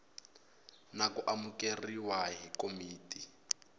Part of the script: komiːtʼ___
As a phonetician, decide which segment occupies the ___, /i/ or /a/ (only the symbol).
i